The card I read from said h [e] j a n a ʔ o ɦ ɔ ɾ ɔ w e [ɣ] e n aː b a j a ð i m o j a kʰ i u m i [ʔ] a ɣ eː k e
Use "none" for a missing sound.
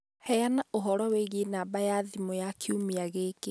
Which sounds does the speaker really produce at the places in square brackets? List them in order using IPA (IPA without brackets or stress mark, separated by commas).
ɛ, ɣ, none